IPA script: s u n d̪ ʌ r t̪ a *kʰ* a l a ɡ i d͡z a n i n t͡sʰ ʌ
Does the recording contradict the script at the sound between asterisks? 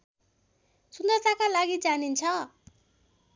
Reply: yes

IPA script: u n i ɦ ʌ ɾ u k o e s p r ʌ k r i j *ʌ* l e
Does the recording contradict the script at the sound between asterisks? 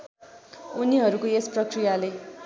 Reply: yes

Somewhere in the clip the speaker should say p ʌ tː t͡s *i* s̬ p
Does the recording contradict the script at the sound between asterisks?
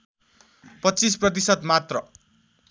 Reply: no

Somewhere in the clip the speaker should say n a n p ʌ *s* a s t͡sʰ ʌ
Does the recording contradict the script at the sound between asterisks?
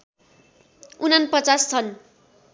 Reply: yes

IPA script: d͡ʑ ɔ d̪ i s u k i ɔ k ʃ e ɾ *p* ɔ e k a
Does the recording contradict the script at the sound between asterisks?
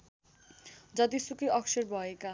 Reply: yes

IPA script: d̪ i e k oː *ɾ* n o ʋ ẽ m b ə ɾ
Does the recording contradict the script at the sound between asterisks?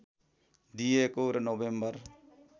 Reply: no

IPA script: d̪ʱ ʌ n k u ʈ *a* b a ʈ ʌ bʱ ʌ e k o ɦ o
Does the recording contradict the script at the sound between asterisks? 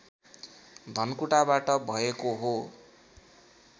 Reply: no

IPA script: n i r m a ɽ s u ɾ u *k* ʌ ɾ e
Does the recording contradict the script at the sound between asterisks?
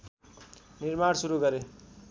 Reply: yes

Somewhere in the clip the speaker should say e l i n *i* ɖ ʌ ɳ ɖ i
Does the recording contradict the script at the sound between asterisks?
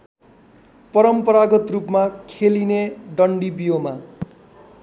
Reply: yes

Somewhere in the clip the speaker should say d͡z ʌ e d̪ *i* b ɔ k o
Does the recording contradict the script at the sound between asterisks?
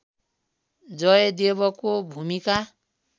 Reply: yes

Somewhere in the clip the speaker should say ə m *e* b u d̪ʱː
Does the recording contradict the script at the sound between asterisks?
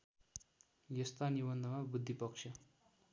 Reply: yes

